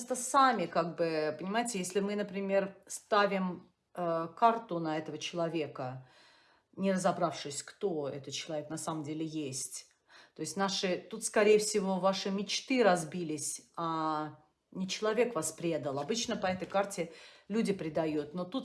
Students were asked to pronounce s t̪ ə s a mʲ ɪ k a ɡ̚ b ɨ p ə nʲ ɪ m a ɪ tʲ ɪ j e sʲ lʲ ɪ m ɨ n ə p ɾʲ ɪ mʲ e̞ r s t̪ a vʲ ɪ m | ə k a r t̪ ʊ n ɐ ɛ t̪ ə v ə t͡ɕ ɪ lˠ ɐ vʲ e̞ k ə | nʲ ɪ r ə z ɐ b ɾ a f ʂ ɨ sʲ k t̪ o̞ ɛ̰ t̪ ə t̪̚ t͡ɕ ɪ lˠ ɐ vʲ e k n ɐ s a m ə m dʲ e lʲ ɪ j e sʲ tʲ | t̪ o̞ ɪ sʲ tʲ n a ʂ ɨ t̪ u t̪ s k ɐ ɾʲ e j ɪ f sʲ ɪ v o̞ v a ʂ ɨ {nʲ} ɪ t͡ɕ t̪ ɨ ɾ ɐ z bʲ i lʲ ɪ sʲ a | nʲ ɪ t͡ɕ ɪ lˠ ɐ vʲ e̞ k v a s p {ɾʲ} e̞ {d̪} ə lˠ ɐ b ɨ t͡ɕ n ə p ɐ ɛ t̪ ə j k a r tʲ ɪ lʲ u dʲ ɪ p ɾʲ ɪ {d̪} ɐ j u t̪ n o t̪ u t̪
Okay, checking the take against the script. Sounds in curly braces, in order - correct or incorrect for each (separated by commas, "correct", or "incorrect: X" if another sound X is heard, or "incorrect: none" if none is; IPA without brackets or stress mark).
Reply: incorrect: mʲ, correct, correct, correct